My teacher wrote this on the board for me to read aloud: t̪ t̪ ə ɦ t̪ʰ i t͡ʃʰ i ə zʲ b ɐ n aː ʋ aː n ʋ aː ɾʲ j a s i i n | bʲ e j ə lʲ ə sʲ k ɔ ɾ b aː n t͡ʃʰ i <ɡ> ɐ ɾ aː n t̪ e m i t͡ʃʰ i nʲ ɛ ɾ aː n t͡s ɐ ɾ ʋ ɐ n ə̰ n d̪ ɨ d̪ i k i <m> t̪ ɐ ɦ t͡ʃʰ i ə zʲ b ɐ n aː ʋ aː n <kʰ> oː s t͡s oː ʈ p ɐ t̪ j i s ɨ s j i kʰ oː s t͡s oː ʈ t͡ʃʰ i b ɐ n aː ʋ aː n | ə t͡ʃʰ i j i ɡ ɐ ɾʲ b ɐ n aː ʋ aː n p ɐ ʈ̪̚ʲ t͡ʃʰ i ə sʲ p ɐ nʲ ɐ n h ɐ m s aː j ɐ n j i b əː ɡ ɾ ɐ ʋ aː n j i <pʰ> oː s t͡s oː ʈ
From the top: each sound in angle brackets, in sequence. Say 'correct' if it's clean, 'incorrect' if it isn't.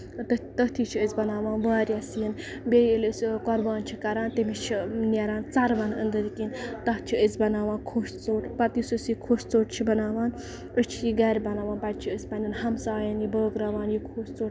incorrect: k, incorrect: n, correct, incorrect: kʰ

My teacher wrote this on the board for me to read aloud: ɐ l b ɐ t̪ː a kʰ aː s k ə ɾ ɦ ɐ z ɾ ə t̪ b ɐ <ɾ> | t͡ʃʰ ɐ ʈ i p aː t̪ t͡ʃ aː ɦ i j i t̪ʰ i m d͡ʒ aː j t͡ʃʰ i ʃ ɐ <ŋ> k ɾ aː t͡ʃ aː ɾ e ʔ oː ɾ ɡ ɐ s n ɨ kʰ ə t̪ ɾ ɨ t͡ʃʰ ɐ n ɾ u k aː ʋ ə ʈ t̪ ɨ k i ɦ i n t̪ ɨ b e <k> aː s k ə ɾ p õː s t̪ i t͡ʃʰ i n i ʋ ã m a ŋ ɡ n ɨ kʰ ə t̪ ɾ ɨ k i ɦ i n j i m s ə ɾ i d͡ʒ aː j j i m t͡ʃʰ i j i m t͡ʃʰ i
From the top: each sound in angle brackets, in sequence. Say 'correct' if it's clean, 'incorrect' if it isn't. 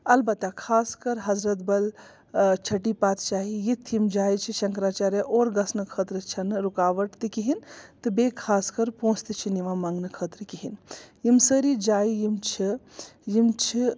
incorrect: l, correct, incorrect: kʰ

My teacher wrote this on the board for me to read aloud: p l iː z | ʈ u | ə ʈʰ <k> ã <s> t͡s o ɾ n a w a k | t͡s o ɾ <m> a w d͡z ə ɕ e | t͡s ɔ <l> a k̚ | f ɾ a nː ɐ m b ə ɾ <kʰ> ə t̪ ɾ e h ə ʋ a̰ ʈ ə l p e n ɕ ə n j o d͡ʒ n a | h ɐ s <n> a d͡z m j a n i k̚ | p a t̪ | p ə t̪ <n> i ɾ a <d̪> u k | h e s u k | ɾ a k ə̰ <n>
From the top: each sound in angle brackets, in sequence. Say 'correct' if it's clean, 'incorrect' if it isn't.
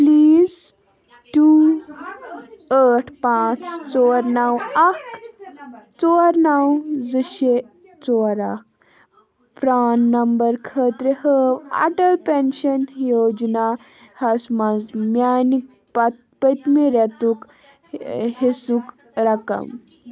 incorrect: p, incorrect: t͡s, incorrect: n, incorrect: ɾ, correct, incorrect: m, incorrect: m, incorrect: t̪, incorrect: m

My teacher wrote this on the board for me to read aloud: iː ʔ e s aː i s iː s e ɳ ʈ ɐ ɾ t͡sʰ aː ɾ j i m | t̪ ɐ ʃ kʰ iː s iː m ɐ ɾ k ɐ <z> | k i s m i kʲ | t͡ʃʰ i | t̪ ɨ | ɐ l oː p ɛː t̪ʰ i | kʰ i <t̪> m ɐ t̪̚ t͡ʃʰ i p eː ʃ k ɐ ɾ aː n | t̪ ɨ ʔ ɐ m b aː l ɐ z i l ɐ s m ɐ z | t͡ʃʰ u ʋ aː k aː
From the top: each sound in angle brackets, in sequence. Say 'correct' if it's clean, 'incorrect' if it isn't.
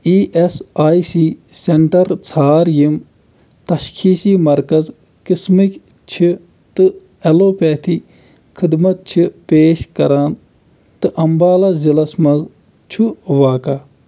correct, incorrect: d̪

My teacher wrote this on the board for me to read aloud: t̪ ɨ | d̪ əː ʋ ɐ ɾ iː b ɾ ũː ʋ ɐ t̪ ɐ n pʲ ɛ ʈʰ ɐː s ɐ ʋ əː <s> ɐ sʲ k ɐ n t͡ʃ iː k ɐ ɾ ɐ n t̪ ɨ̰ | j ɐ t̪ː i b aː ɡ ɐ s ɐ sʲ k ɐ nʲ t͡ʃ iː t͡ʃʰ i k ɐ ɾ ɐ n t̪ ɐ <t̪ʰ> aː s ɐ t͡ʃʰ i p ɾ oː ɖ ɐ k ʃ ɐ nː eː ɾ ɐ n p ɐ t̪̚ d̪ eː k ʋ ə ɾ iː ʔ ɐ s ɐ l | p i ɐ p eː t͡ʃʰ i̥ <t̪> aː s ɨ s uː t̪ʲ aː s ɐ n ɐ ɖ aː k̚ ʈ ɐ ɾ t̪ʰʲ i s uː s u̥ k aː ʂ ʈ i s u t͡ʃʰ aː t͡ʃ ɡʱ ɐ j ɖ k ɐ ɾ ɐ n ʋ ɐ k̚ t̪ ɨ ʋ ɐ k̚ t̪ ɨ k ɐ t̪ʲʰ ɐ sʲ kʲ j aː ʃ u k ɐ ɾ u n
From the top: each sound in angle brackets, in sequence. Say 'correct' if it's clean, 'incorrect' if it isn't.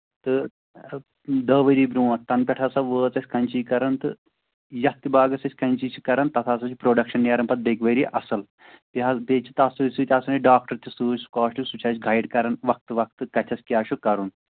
incorrect: t͡s, correct, correct

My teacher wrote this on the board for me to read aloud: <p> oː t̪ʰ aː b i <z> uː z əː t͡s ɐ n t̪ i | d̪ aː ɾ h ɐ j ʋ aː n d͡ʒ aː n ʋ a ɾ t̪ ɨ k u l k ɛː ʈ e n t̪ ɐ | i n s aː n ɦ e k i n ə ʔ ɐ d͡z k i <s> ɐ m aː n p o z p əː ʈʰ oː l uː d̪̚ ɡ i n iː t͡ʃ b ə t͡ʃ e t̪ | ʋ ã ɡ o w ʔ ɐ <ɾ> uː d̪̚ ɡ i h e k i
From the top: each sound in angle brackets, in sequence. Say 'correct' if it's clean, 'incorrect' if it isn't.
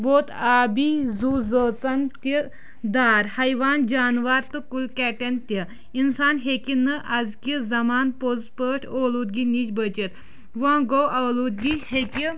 incorrect: b, correct, incorrect: z, incorrect: l

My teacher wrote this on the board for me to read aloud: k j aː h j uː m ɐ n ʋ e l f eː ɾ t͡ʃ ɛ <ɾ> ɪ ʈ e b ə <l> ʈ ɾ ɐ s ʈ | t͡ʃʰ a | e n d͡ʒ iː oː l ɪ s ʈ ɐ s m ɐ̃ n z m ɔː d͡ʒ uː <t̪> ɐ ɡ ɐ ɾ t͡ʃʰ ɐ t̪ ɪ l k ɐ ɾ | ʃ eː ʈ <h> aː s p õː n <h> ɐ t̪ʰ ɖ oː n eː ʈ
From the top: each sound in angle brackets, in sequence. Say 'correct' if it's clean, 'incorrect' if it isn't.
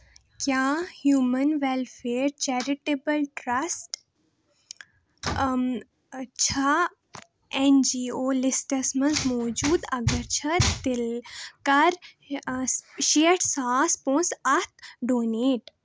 correct, correct, incorrect: d̪, incorrect: s, incorrect: s

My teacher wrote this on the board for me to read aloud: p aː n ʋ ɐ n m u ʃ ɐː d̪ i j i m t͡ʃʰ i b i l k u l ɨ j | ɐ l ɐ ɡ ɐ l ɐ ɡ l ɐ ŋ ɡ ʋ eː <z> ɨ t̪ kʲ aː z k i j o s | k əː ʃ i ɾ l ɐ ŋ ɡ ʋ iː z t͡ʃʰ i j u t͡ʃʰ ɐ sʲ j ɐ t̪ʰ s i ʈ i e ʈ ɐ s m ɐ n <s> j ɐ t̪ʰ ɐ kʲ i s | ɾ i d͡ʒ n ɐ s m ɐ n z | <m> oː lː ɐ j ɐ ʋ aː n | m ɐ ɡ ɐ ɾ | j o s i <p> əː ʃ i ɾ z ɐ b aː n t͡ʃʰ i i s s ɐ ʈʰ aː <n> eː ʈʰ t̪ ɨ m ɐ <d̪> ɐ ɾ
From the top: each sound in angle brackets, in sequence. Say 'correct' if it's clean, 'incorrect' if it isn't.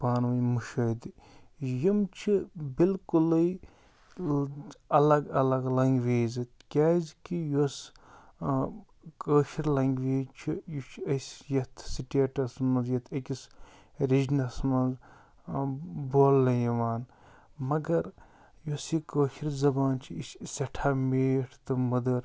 correct, incorrect: z, incorrect: b, incorrect: k, incorrect: m, correct

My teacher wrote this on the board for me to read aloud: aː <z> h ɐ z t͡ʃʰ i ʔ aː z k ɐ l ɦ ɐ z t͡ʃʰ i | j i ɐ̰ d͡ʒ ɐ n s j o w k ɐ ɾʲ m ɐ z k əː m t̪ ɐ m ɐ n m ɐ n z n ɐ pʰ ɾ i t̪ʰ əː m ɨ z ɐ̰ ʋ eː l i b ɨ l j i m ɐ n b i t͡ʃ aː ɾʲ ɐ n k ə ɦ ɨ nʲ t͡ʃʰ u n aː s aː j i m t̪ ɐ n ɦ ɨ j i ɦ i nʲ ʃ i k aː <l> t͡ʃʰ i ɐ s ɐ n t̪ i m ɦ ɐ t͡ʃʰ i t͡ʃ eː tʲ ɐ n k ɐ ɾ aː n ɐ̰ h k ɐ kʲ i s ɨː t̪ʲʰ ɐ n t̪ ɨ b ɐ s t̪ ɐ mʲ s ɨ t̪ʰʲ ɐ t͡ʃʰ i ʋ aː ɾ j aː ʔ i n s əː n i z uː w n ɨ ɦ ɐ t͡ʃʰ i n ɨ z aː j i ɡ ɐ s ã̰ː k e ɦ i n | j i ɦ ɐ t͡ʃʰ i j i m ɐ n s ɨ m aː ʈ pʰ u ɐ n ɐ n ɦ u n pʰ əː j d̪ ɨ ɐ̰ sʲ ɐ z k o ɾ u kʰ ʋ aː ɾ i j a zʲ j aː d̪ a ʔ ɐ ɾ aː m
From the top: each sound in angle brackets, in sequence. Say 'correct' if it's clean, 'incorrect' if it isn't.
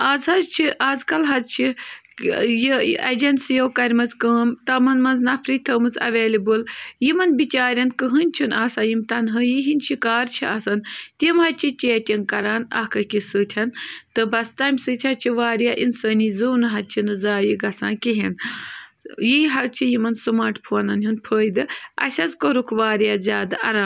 correct, incorrect: ɾ

